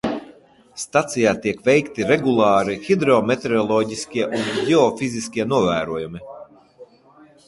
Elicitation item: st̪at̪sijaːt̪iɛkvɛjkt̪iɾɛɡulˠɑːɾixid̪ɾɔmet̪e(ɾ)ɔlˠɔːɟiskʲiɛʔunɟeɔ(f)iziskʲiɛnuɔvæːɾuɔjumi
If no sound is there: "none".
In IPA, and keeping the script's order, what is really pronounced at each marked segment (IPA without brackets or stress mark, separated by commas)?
ɾ, f